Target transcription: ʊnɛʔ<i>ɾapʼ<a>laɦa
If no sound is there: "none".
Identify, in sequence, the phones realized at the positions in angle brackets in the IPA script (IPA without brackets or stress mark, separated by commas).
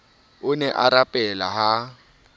a, ɛ